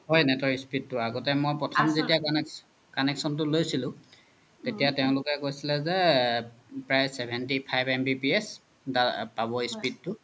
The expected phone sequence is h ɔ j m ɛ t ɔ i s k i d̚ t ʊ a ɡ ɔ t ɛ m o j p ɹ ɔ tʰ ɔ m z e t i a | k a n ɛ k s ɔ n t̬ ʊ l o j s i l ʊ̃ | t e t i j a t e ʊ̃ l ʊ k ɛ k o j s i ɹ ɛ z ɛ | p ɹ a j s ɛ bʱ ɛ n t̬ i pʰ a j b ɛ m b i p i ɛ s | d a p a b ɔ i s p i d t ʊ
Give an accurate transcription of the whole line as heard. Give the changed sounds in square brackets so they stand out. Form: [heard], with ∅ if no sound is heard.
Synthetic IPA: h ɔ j [n] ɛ t ɔ i s [p] i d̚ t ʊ a ɡ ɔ t ɛ m o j p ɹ ɔ tʰ ɔ m z e t i a | k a n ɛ k s ɔ n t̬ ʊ l o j s i l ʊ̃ | t e t i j a t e ʊ̃ l ʊ k ɛ k o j s i [l] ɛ z ɛ | p ɹ a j s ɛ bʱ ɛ n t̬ i pʰ a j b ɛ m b i p i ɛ s | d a p a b ɔ i s p i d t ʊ